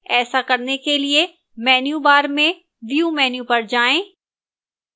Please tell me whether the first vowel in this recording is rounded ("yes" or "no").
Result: no